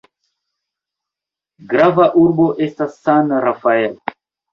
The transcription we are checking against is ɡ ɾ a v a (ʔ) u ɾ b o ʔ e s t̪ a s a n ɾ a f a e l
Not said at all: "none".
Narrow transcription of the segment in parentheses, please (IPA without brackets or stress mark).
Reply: ʔ